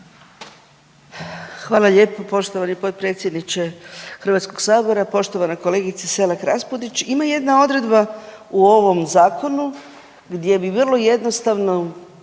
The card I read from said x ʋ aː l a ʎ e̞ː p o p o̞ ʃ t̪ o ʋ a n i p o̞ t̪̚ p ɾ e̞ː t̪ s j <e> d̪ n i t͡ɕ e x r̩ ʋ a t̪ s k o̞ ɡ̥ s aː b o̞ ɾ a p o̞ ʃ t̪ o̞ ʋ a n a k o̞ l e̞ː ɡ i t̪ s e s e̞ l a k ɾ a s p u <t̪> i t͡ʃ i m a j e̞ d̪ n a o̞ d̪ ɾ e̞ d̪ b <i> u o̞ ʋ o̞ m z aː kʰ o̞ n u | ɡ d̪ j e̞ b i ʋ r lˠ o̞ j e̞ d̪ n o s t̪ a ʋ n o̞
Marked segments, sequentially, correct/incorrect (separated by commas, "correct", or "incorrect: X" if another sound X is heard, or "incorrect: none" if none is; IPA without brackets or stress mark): correct, incorrect: d̪, incorrect: a